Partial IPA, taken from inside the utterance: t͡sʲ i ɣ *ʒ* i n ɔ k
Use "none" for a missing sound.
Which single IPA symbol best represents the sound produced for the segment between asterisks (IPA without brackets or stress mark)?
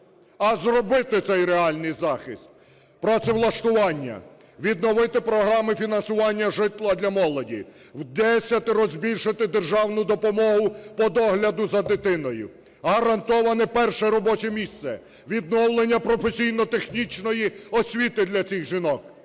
ʒ